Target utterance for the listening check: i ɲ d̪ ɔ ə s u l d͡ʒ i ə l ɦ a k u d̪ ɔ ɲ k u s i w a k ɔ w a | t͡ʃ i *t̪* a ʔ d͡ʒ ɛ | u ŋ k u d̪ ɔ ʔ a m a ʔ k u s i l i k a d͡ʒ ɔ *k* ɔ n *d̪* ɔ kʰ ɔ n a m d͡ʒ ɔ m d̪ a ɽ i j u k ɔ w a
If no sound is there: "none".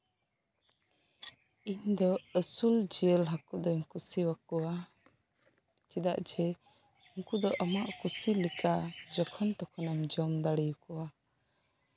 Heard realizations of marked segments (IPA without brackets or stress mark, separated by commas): d̪, kʰ, t̪